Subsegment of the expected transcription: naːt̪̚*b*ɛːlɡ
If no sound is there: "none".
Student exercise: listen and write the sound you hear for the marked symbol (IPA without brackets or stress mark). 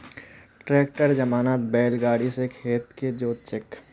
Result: b